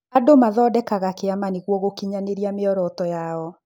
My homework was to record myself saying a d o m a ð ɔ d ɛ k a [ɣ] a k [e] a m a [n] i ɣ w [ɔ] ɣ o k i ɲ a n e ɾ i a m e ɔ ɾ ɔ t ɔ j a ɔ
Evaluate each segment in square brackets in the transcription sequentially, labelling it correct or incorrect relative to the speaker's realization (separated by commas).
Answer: correct, correct, correct, correct